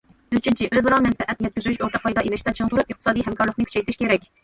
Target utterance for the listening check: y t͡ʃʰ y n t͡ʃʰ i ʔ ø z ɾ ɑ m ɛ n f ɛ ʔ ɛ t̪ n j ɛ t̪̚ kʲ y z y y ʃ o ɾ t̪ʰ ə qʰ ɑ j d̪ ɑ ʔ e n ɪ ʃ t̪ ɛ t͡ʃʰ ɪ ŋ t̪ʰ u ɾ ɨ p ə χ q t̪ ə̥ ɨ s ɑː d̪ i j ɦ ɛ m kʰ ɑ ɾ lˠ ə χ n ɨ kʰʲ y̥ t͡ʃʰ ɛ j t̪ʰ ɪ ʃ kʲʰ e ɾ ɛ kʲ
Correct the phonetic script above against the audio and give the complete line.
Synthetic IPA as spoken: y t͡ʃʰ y n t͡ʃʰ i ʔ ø z ɾ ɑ m ɛ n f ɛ ʔ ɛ t̪ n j ɛ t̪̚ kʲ y z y y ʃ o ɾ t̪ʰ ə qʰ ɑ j d̪ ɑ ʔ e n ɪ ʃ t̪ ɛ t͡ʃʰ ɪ ŋ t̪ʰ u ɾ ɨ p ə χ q t̪ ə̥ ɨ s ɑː d̪ i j ɦ ɛ m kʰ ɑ ɾ lˠ ə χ n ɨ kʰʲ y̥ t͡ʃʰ ɛ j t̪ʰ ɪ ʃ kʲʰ e ɾ ɛ kʲ